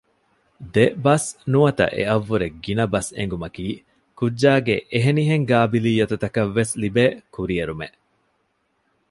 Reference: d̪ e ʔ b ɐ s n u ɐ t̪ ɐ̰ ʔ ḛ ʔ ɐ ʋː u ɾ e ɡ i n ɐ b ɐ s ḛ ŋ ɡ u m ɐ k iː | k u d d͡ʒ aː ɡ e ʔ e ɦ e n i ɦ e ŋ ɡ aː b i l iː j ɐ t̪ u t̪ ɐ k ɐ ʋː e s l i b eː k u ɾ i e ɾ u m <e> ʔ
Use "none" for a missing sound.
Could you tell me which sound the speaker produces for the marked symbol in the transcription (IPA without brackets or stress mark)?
e